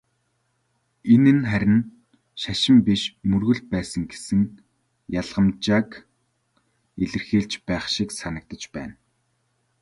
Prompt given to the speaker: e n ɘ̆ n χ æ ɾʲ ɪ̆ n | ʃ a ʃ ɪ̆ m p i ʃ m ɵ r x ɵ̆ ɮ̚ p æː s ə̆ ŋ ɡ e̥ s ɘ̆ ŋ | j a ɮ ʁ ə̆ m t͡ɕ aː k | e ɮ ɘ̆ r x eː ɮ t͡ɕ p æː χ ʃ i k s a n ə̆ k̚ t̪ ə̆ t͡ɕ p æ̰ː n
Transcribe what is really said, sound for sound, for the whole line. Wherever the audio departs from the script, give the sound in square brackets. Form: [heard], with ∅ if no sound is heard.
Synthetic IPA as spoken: e n ɘ̆ n χ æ ɾʲ ɪ̆ n | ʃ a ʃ ɪ̆ m p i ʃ m ɵ r [ɣ] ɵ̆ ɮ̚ p æː s ə̆ ŋ ɡ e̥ s ɘ̆ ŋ | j a ɮ ʁ ə̆ m t͡ɕ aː k | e ɮ ɘ̆ r x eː ɮ t͡ɕ p æː χ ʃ i k s a n ə̆ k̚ t̪ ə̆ t͡ɕ p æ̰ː n